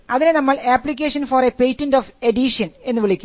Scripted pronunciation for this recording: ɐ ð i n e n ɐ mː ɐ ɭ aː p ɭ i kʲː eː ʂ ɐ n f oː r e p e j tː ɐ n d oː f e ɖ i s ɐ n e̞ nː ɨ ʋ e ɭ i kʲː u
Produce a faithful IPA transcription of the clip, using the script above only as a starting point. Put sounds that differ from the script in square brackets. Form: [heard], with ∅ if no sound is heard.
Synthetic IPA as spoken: ɐ ð i n e n ɐ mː ɐ ɭ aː p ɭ i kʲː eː ʂ ɐ n f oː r e p e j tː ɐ n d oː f e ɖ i [ʂ] ɐ n e̞ nː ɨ ʋ [i] ɭ i kʲː u

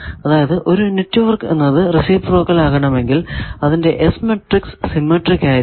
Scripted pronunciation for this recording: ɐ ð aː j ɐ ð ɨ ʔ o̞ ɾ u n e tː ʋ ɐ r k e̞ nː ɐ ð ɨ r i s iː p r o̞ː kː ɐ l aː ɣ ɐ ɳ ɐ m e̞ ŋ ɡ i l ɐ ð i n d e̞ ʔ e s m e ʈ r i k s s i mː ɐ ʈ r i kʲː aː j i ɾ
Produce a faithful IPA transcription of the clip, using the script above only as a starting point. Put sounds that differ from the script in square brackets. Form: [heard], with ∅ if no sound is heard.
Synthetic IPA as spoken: ɐ ð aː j ɐ ð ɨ ʔ o̞ ɾ u n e tː ʋ ɐ r k e̞ nː ɐ ð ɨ r i s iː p r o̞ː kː ɐ l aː ɣ ɐ ɳ ɐ m e̞ ŋ ɡ i l ɐ ð i n d e̞ ʔ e s m e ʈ r i k s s i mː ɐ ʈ r i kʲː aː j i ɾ

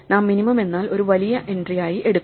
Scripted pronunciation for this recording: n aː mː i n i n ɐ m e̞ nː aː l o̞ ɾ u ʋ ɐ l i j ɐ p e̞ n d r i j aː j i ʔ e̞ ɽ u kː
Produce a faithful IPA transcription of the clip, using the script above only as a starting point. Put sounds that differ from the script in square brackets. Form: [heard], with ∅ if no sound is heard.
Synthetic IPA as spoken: n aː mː i n i [m] ɐ m e̞ nː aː l o̞ ɾ u ʋ ɐ l i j ɐ [ʔ] e̞ n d r i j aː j i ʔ e̞ ɽ u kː

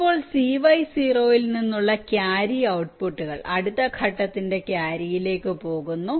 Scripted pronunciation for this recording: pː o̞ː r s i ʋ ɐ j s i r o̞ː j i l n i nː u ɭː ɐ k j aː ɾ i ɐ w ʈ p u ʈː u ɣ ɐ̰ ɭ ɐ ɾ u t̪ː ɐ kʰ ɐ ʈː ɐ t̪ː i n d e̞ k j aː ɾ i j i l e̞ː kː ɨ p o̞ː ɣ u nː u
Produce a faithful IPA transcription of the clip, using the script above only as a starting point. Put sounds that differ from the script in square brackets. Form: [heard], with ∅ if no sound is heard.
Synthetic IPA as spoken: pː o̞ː [ɭ] s i ʋ ɐ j s i r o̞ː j i l n i nː u ɭː ɐ k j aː ɾ i ɐ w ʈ p u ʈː u ɣ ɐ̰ ɭ ɐ [ɽ] u t̪ː ɐ kʰ ɐ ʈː ɐ t̪ː i n d e̞ k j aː ɾ i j i l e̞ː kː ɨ p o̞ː ɣ u nː u

